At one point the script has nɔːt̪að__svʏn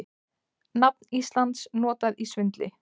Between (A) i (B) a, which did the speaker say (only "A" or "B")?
A